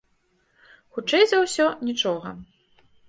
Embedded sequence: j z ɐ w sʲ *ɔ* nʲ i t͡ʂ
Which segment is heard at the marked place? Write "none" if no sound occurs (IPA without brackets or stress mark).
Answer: ɔ